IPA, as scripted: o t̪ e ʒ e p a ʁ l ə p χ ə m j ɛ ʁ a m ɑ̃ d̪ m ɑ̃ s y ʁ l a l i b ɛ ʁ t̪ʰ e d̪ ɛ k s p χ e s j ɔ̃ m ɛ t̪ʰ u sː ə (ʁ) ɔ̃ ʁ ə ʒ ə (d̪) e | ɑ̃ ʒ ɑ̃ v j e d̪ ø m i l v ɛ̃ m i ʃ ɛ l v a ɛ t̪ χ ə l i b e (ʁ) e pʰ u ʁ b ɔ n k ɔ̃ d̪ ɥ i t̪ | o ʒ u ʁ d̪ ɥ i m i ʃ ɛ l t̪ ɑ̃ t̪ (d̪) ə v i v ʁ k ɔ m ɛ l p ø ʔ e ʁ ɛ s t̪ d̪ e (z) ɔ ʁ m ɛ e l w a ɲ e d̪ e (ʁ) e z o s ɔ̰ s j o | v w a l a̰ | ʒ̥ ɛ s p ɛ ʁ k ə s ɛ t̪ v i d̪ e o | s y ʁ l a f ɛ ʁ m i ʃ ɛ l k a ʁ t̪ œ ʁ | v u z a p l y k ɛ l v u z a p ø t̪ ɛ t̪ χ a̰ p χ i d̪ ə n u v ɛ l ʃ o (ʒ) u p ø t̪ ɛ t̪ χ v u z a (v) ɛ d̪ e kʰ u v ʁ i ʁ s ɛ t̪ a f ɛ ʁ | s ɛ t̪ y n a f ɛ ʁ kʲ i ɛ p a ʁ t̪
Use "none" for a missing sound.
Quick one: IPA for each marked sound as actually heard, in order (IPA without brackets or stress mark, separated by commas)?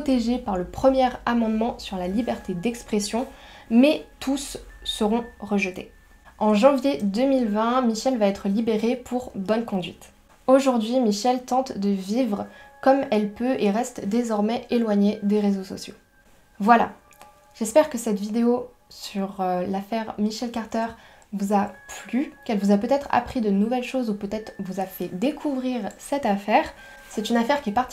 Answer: ʁ, t̪, ʁ, d̪, z, ʁ, z, f